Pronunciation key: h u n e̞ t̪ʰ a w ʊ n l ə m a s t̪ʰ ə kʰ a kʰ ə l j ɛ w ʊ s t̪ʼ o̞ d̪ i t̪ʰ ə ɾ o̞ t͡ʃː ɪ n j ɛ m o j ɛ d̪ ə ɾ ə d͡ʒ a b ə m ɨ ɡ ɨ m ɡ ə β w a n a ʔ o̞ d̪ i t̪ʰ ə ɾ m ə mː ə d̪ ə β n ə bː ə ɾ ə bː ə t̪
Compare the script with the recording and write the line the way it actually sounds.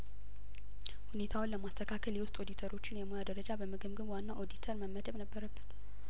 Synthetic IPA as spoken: h u n e̞ t̪ʰ a w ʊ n l ə m a s t̪ʰ ə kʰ a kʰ ə l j ɛ w ʊ s t̪ʼ o̞ d̪ i t̪ʰ ə ɾ o̞ t͡ʃː ɪ n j ɛ m o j a d̪ ə ɾ ə d͡ʒ a b ə m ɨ ɡ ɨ m ɡ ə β w a nː a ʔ o̞ d̪ i t̪ʰ ə ɾ m ə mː ə d̪ ə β n ə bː ə ɾ ə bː ə t̪